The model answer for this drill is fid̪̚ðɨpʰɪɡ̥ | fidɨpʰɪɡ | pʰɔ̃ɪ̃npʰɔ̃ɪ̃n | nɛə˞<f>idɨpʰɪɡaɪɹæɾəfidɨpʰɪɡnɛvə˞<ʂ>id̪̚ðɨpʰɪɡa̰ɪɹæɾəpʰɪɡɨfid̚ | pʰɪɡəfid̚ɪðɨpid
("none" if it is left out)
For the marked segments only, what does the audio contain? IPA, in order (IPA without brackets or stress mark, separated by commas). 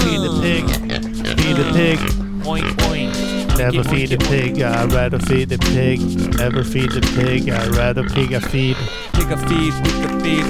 f, f